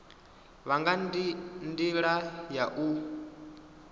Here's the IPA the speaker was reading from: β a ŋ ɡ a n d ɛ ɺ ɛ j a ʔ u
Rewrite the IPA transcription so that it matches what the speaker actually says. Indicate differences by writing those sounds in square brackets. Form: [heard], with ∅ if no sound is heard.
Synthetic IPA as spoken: β a ŋ ɡ a n d [i] ɺ [a] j a ʔ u